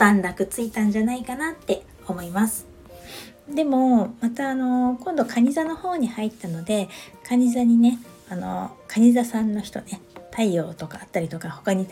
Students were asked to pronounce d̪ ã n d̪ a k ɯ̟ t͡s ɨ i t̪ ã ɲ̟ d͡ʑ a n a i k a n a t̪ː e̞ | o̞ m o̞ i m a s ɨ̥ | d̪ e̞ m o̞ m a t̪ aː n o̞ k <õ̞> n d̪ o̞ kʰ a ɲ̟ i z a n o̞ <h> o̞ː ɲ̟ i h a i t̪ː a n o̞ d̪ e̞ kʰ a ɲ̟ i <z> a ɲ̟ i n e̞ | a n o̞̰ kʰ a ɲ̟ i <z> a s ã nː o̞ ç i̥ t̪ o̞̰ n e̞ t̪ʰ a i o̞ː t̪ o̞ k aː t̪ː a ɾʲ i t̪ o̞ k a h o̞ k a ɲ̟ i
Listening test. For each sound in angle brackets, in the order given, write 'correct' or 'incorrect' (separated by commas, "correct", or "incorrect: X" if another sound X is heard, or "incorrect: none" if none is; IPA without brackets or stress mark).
correct, correct, correct, correct